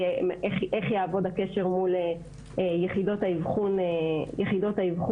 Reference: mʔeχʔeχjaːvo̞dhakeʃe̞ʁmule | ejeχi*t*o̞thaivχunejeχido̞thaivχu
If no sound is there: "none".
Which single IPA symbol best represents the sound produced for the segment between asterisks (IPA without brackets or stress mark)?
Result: d